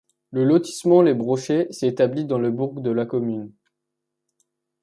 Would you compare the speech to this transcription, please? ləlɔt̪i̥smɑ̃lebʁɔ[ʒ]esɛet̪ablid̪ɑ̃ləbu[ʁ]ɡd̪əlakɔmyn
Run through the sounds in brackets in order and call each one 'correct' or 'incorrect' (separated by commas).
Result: incorrect, correct